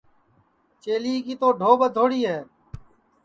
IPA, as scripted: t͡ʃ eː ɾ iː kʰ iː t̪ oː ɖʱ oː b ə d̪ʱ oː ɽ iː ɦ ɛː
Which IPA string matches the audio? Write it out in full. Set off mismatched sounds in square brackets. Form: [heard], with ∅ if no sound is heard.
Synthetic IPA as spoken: t͡ʃ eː [l] iː [k] iː t̪ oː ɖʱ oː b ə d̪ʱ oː ɽ iː ɦ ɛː